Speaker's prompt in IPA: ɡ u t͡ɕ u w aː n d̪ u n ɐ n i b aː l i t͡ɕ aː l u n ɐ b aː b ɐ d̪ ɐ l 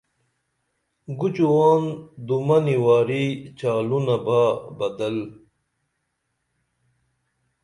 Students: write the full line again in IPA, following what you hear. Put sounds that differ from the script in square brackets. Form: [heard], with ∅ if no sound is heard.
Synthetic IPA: ɡ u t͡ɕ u w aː n d̪ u [m] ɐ n i [w] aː [ɾ] i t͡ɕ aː l u n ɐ b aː b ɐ d̪ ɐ l

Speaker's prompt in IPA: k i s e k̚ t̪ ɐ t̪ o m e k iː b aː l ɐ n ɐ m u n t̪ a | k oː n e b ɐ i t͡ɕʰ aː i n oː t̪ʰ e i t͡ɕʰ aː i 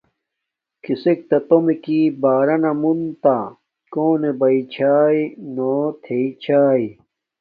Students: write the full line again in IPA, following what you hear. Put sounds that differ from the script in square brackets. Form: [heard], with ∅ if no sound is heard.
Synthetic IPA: k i s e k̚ t̪ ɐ t̪ o m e k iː b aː [ɾ] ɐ n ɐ m u n t̪ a | k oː n e b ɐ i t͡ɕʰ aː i n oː t̪ʰ e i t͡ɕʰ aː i

